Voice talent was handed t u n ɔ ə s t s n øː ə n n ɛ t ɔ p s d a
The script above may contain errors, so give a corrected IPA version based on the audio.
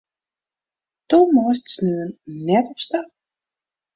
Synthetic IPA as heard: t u m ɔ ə s t s n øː ə n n ɛ t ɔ p s t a